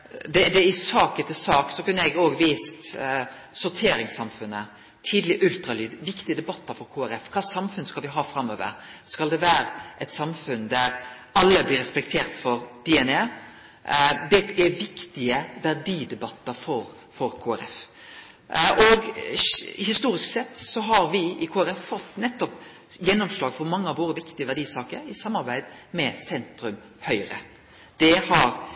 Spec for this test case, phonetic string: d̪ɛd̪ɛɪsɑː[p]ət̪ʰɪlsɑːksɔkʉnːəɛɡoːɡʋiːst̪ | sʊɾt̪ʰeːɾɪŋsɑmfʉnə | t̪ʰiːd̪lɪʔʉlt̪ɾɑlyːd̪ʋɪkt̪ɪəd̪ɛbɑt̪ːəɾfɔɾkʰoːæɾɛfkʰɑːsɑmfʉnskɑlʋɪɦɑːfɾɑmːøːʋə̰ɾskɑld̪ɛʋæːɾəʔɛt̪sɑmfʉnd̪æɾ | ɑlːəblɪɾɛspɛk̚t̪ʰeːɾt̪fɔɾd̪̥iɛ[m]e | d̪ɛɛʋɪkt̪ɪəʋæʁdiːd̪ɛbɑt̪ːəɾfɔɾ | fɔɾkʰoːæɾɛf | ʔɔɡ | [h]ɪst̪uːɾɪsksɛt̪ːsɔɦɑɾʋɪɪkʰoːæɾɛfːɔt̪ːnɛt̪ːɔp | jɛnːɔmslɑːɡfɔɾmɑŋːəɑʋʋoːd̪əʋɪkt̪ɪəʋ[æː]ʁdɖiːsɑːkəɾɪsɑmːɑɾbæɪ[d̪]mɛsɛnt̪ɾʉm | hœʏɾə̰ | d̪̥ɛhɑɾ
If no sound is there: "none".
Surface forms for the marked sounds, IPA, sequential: k, n, h, æ, d̪

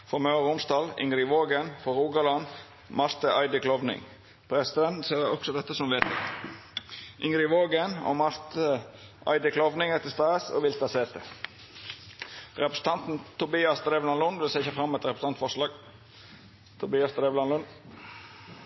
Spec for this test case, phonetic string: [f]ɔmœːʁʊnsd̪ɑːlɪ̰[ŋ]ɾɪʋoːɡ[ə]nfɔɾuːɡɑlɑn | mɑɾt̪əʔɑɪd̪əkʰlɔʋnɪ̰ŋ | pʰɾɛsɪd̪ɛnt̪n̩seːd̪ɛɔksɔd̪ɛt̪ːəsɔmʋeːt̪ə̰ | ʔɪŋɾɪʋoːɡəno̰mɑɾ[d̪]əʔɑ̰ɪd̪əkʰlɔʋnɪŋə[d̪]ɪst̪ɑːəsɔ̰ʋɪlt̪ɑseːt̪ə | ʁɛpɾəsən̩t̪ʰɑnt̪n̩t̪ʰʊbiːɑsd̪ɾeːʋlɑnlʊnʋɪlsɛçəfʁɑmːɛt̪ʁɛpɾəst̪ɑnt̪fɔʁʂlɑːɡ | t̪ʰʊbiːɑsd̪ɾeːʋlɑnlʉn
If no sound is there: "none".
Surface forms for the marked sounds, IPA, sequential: f, ŋ, ə, t̪, t̪

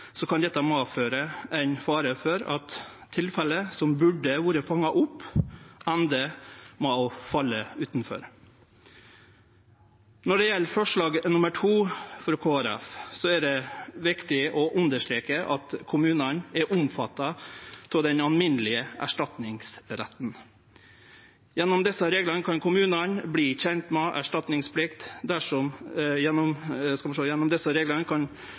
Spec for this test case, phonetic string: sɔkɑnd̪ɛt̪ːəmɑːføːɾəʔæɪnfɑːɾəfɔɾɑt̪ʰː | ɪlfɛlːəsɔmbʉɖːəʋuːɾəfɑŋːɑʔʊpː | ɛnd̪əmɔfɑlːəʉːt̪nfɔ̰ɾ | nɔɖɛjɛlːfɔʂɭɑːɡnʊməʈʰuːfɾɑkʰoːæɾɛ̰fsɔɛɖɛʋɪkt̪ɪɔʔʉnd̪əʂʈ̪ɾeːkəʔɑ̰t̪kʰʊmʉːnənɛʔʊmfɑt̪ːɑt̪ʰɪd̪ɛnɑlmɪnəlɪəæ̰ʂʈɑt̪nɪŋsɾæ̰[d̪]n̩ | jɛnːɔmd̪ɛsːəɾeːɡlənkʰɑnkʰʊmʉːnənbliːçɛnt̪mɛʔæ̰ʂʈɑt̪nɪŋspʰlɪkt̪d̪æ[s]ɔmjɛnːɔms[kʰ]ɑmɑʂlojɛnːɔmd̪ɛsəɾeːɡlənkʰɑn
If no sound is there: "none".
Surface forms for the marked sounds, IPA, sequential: t̪, ʂ, k

